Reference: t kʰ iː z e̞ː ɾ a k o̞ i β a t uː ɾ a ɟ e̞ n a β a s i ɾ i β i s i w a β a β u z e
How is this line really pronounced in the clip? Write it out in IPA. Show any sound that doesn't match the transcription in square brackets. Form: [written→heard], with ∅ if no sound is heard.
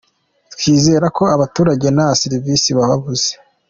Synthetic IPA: t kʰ iː z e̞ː ɾ a k o̞ [i→a] β a t uː ɾ a ɟ e̞ n a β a s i ɾ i [β→v] i s i [w→β] a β a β u z e

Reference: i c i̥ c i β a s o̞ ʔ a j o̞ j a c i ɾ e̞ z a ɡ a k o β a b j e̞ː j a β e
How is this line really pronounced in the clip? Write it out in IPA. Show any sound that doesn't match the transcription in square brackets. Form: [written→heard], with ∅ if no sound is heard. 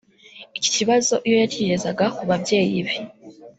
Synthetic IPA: i c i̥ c i β a [s→z] o̞ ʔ [a→i] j o̞ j a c i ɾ e̞ z a ɡ a k [o→u] β a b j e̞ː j [a→i] β e

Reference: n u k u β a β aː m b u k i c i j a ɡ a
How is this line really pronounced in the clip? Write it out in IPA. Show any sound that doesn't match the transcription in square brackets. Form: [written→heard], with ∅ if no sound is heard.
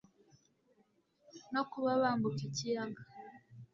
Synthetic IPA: n [u→o] k u β a β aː m b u k i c i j a ɡ a

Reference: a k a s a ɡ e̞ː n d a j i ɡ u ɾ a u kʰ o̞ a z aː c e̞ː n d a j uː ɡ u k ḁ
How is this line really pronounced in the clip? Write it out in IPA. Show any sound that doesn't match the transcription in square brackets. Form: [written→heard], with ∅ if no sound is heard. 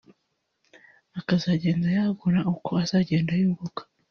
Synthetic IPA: a k a [s→z] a [ɡ→ɟ] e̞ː n d a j [i→a] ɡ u ɾ a u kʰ o̞ a z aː [c→ɟ] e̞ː n d a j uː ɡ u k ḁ

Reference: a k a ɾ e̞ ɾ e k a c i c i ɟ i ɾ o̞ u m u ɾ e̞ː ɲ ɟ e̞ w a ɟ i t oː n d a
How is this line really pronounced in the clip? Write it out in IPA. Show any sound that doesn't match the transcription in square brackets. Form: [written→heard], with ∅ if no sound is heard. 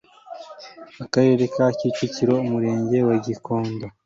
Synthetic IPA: a k a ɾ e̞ ɾ e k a c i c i [ɟ→c] i ɾ o̞ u m u ɾ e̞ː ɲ ɟ e̞ w a ɟ i [t→k] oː n d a

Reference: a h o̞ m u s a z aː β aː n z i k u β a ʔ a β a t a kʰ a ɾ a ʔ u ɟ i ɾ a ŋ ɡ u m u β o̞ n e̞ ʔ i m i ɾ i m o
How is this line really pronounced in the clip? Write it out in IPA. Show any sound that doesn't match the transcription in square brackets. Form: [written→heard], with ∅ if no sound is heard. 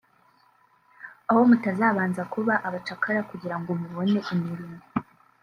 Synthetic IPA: a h o̞ m u [s→t] a z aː β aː n z [i→a] k u β a ʔ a β a [t→t͡ʃ] a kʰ a ɾ a [ʔ→k] u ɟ i ɾ a ŋ ɡ [u→o] m u β o̞ n e̞ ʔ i m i ɾ i m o

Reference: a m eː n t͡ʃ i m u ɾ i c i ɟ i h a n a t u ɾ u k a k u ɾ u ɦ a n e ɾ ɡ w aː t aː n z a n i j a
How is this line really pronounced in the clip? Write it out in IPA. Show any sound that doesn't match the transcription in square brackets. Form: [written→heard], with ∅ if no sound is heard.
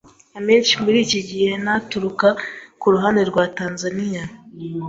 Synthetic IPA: a m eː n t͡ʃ i m u ɾ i c i ɟ i h [a→e] n a t u ɾ u k a k u ɾ u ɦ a n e ɾ ɡ w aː t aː n z a n i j a

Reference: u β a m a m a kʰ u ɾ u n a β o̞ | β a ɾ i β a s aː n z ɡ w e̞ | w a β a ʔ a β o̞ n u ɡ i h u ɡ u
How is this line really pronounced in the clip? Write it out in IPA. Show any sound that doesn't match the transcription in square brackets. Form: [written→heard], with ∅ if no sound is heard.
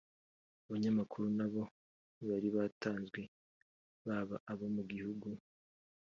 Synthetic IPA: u β a [m→ɲ] a m a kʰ u ɾ u n a β o̞ | β a ɾ i β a [s→t] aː n z ɡ w e̞ | [w→β] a β a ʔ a β o̞ [n→m] u ɡ i h u ɡ u

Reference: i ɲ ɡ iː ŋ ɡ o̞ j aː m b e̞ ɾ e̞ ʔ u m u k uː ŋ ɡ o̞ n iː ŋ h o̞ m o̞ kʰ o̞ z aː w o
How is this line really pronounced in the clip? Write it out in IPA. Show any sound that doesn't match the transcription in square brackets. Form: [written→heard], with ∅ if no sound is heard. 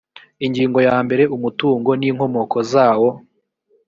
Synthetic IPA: i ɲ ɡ iː ŋ ɡ o̞ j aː m b e̞ ɾ e̞ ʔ u m u [k→t] uː ŋ ɡ o̞ n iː ŋ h o̞ m o̞ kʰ o̞ z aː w o

